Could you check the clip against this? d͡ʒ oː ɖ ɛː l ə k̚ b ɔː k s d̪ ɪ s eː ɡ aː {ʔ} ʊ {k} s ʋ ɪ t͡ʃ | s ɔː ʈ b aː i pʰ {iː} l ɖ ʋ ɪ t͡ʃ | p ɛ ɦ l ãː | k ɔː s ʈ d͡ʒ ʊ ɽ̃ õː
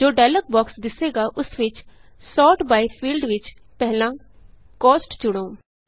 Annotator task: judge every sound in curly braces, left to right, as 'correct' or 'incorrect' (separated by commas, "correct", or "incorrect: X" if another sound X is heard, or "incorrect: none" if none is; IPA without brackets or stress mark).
correct, incorrect: none, correct